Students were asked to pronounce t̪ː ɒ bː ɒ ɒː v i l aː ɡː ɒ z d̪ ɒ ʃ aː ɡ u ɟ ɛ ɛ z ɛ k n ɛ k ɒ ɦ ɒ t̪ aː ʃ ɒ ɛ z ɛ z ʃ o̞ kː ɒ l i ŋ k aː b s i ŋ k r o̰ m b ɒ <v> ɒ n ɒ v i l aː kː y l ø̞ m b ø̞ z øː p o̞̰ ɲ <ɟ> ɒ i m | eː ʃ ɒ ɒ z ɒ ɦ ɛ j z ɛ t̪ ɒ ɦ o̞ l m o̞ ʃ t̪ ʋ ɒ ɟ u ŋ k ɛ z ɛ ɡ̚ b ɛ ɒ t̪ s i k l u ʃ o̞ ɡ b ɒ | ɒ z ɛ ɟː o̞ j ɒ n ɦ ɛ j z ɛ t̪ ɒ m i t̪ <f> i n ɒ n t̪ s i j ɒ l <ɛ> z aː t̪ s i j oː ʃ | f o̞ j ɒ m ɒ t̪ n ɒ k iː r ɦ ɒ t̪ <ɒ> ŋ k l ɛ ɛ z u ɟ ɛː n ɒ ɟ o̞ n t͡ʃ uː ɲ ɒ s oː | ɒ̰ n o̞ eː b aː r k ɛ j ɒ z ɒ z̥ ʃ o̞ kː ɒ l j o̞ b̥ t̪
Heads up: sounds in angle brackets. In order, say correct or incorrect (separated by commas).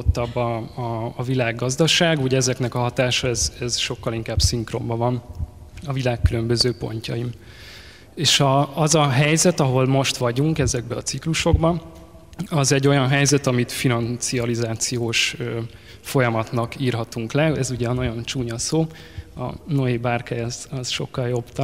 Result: correct, incorrect, correct, incorrect, incorrect